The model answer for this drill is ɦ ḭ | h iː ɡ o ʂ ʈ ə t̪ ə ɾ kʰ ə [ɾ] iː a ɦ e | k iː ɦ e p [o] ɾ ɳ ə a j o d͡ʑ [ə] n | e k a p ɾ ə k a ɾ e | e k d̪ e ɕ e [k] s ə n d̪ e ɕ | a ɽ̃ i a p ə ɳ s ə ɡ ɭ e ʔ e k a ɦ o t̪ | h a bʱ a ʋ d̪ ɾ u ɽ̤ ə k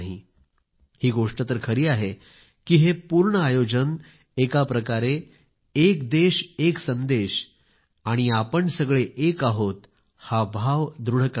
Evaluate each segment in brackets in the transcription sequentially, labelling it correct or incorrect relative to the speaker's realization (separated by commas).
correct, incorrect, correct, correct